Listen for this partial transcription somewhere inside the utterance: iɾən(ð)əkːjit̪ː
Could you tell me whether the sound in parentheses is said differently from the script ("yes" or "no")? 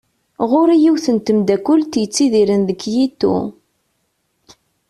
no